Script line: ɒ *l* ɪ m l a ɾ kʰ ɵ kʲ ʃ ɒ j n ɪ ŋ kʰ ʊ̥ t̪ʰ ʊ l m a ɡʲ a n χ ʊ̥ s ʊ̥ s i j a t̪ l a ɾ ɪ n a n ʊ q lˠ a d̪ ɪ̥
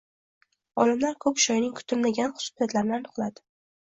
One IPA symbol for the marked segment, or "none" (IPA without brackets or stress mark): l